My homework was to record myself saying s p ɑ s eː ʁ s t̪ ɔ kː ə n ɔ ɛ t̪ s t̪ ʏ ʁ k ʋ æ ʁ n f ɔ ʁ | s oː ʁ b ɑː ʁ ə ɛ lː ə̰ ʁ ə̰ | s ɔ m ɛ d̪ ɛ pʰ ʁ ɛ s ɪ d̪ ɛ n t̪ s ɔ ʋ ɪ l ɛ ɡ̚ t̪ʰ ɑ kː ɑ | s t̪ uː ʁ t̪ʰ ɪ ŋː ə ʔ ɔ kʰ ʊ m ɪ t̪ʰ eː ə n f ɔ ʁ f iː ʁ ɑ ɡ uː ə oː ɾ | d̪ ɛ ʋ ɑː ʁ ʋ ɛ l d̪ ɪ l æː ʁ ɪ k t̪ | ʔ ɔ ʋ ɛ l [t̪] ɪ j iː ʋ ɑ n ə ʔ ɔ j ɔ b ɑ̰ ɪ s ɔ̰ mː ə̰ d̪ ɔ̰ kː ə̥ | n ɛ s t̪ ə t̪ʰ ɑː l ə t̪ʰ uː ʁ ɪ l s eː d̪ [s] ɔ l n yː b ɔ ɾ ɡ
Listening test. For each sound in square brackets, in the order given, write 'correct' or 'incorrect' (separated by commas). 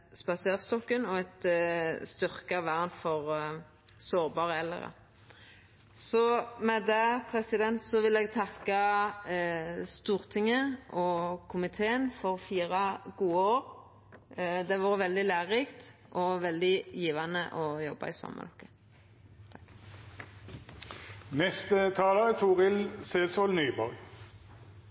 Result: incorrect, correct